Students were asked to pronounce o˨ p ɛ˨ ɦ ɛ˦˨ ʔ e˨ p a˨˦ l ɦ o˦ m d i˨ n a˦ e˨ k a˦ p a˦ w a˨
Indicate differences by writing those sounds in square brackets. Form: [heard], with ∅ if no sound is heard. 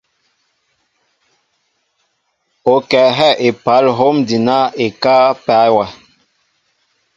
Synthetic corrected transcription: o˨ [k] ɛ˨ ɦ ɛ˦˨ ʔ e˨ p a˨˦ l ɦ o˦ m d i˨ n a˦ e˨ k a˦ p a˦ w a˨